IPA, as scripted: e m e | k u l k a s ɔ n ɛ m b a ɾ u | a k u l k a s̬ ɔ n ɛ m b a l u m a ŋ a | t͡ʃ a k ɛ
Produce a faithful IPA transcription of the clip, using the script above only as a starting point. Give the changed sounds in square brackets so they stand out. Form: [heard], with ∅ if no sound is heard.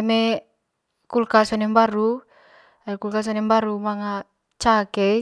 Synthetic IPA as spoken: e m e | k u l k a s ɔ n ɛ m b a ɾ u | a k u l k a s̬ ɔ n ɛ m b a [ɾ] u m a ŋ a | t͡ʃ a k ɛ